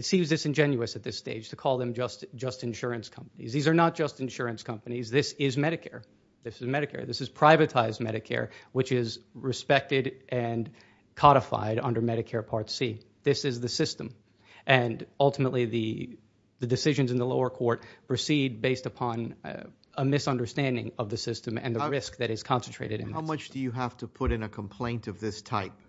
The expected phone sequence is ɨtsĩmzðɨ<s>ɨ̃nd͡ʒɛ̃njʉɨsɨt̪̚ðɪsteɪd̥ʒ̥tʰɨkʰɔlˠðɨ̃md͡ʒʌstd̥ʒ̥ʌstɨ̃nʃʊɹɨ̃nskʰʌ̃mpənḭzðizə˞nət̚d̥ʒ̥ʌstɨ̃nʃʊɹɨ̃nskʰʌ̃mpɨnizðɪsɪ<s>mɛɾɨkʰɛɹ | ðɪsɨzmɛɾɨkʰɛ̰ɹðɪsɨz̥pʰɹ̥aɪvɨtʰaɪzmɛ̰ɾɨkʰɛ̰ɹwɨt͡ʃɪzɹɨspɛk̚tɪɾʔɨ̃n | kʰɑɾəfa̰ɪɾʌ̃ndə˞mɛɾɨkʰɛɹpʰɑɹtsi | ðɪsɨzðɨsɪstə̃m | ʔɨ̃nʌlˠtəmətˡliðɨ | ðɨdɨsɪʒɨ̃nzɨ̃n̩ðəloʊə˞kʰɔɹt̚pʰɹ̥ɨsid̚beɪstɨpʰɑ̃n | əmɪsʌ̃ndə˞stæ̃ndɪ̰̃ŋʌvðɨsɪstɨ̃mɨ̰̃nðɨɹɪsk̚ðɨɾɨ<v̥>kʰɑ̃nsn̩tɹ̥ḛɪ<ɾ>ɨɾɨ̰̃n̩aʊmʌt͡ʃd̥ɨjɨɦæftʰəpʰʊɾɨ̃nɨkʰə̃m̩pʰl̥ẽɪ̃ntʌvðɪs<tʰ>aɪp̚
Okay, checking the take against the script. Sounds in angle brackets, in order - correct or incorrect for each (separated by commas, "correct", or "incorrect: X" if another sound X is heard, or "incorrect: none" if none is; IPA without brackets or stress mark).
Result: correct, incorrect: z, incorrect: z̥, correct, correct